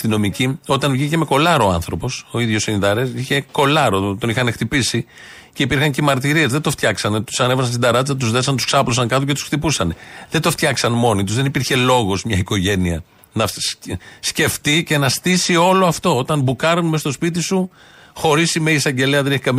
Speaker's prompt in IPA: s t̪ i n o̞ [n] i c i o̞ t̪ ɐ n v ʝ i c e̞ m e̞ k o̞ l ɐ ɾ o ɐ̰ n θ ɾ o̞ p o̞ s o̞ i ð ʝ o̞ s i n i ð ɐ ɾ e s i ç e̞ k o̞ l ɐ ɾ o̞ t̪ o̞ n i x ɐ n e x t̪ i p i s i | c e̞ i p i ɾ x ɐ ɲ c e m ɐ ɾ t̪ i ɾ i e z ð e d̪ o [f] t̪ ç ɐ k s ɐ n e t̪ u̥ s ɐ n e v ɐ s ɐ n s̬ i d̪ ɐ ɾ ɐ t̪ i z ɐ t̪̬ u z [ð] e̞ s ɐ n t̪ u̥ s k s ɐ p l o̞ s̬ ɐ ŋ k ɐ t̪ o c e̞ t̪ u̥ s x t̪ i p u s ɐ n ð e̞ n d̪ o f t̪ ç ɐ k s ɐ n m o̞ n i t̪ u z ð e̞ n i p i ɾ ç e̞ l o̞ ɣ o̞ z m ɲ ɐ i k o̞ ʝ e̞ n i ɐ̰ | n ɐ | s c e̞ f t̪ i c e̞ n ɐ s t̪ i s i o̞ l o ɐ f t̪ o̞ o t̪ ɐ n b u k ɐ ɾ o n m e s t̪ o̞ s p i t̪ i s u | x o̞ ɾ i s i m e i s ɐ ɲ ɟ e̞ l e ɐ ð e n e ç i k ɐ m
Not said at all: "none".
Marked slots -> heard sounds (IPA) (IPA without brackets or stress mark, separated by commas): m, f, ð